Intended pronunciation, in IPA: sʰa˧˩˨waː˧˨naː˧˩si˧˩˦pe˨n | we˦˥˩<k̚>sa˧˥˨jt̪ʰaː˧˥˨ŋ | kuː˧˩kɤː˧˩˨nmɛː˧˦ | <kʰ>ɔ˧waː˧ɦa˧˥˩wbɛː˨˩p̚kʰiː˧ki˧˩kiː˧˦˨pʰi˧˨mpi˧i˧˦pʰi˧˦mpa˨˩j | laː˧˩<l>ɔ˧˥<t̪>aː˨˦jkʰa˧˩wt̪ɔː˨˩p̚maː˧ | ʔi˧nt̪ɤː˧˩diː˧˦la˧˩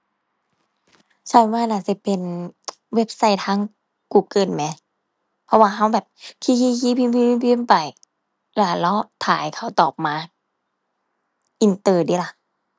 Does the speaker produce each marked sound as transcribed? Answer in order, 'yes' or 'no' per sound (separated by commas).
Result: no, no, yes, no